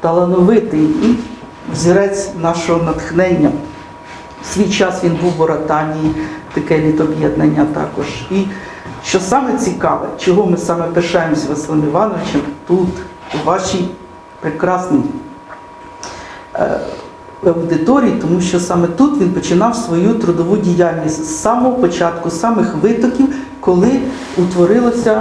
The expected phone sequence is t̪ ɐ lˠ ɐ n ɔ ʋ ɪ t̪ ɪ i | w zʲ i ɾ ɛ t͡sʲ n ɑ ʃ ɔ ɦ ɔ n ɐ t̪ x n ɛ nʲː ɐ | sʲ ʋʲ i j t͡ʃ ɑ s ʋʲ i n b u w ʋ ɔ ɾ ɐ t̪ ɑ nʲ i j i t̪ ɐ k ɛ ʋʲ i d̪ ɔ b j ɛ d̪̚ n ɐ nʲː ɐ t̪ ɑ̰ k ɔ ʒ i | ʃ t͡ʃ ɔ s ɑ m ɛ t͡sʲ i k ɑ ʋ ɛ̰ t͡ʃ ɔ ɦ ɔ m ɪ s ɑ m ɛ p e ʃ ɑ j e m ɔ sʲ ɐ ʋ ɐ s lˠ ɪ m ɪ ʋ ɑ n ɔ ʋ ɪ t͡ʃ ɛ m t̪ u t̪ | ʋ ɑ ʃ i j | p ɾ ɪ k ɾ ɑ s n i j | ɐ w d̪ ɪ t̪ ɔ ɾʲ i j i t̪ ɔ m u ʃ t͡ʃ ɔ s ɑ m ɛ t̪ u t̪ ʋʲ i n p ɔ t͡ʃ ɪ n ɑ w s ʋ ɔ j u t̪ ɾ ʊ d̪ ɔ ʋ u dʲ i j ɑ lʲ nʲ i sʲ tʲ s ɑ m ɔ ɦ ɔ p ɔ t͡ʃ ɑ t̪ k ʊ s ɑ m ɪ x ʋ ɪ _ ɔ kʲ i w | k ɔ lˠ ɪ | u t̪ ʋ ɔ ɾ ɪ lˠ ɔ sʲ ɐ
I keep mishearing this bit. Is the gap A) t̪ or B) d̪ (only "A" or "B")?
A